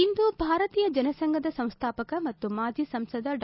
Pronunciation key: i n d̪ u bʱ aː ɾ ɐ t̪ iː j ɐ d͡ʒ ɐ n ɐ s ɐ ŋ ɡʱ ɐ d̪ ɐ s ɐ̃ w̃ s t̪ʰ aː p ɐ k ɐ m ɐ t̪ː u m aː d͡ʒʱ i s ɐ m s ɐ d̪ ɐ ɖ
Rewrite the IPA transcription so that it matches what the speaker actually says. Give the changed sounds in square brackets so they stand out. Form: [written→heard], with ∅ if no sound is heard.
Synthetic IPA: i n d̪ u bʱ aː ɾ ɐ t̪ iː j ɐ d͡ʒ ɐ n ɐ s ɐ ŋ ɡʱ ɐ d̪ ɐ s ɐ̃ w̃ s t̪ʰ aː p ɐ k ɐ m ɐ t̪ː u m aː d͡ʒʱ i s ɐ m s ɐ d̪ ɐ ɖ